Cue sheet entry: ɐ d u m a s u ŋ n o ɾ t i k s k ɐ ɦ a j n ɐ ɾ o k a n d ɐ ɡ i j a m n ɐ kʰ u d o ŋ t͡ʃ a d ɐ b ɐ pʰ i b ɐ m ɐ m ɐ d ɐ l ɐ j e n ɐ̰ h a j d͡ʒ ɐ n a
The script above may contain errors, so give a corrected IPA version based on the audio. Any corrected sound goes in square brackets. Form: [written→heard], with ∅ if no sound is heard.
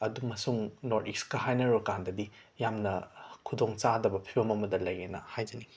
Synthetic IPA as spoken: ɐ d u m [a→ɐ] s u ŋ n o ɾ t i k s k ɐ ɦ a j n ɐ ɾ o k a n d ɐ [ɡ→d] i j a m n ɐ kʰ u d o ŋ t͡ʃ a d ɐ b ɐ pʰ i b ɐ m ɐ m ɐ d ɐ l ɐ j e n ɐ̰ h a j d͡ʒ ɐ n [a→i]